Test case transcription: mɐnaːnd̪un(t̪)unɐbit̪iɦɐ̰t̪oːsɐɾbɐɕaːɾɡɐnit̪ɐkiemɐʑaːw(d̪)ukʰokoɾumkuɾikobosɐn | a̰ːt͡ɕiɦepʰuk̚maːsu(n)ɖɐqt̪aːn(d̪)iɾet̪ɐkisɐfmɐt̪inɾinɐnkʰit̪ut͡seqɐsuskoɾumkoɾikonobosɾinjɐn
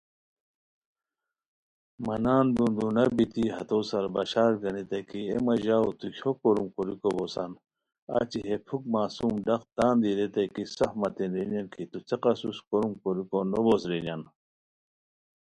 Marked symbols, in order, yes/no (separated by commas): no, no, no, yes